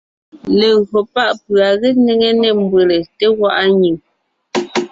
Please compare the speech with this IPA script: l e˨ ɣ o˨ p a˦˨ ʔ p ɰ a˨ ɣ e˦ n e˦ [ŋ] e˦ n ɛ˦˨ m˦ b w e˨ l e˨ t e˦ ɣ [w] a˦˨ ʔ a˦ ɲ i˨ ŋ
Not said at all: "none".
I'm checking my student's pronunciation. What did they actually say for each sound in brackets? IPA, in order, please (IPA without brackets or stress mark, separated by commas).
ŋ, w